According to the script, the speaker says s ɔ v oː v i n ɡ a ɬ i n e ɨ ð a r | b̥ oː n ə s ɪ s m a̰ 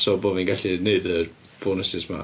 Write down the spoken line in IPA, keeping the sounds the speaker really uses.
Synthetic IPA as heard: s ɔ b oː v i n ɡ a ɬ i n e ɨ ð ə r | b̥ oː n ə s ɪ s m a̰